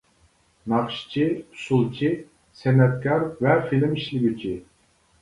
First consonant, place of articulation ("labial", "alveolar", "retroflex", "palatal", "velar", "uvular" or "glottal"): alveolar